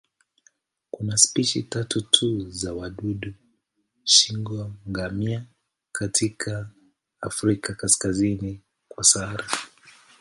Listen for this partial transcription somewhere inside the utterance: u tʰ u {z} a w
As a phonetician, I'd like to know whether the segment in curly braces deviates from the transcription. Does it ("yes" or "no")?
no